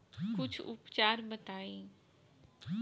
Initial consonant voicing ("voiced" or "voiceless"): voiceless